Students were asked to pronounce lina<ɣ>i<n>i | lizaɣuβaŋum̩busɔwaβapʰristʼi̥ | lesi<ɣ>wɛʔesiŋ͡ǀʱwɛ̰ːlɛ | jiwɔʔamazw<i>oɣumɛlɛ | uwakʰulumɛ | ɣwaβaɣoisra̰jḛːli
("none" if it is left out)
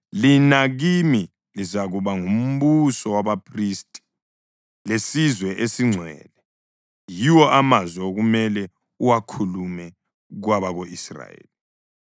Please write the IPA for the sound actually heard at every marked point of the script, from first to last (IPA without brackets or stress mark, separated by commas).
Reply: ɣ, m, z, ɛ